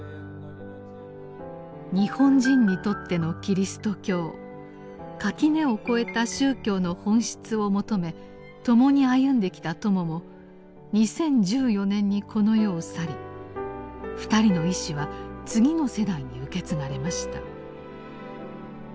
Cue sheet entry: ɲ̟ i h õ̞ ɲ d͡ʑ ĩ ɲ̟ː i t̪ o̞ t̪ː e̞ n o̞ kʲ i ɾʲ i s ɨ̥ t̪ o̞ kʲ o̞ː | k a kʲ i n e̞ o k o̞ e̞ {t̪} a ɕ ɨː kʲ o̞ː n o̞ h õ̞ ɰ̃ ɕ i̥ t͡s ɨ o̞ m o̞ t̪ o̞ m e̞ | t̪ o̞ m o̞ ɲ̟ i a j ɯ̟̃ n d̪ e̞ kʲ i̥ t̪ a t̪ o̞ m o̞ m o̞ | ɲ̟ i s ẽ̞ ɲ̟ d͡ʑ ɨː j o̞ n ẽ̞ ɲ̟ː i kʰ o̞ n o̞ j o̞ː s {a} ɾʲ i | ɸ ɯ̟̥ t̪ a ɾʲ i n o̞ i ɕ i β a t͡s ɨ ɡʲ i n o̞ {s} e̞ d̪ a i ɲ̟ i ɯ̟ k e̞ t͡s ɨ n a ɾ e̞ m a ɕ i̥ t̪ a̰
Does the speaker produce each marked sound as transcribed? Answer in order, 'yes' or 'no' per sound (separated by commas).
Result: yes, yes, yes